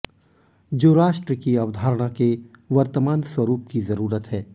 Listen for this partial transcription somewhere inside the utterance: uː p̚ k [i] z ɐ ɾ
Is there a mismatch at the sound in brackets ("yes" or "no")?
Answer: no